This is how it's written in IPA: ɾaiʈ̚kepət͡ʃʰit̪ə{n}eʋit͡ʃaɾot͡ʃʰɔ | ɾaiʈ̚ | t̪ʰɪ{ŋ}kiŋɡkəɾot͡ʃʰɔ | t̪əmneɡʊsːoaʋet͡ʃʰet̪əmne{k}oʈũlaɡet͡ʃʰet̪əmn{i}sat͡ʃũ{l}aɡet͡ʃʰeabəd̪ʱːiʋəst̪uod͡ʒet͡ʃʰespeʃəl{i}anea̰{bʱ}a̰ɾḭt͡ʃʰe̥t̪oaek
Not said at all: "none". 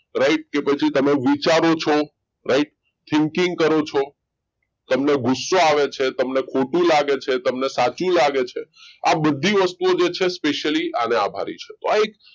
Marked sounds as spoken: m, ŋ, kʰ, e, l, i, bʱ

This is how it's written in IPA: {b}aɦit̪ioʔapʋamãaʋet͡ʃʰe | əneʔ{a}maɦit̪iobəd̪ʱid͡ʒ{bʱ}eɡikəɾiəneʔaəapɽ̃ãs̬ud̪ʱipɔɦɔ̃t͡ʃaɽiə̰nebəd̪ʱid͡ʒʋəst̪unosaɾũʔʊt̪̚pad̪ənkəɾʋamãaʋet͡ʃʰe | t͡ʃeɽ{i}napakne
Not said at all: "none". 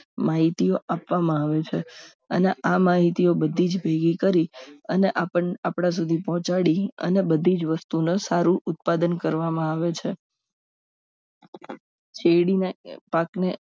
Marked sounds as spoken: m, a, bʱ, i

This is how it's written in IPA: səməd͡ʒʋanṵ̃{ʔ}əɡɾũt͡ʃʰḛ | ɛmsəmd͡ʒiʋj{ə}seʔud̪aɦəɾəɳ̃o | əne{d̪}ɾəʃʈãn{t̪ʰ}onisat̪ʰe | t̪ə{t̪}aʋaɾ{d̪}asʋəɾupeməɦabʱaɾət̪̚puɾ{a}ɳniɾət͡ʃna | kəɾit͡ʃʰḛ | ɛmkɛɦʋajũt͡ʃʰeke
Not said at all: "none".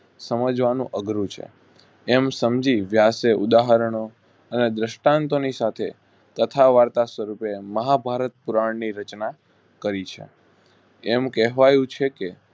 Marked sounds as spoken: ʔ, a, d̪, t̪, t̪ʰ, t̪, a

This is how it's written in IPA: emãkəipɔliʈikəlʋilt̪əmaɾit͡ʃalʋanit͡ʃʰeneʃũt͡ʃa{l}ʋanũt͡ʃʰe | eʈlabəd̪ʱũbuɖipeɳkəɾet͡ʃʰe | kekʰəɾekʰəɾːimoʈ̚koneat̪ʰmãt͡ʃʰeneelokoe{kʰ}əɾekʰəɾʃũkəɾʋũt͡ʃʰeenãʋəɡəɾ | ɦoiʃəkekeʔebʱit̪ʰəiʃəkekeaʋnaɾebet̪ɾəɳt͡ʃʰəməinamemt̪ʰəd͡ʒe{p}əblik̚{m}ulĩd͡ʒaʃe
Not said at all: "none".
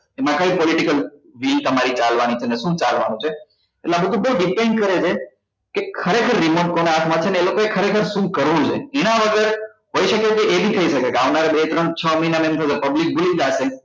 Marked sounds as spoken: l, kʰ, p, b

